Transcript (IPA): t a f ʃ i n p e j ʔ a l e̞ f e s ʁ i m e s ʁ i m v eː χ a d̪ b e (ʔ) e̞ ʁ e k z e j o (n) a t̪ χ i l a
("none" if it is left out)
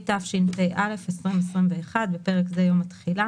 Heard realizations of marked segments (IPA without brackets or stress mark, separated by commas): p, m